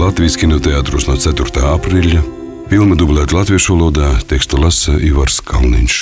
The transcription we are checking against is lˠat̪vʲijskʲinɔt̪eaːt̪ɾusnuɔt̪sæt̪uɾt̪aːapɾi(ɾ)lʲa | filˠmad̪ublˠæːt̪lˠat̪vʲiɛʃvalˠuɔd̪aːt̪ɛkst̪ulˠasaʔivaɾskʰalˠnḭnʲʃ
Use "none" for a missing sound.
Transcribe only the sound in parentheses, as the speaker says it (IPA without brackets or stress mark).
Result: none